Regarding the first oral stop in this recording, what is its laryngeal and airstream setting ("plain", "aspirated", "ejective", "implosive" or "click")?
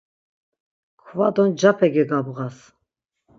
aspirated